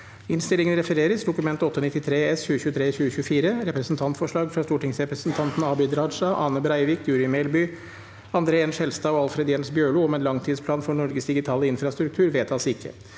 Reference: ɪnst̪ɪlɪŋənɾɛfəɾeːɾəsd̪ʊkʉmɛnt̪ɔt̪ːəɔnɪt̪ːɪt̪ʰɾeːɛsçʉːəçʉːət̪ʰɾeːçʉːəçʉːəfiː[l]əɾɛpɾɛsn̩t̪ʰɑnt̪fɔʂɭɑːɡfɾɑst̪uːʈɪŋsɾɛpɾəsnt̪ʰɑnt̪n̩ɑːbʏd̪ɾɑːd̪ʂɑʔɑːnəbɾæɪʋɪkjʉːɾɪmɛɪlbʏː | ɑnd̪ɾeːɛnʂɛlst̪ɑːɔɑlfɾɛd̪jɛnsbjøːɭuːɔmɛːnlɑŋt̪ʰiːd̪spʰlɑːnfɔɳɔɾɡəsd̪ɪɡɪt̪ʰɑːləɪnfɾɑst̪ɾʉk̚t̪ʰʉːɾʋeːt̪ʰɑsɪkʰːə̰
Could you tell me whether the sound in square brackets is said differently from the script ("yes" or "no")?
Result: yes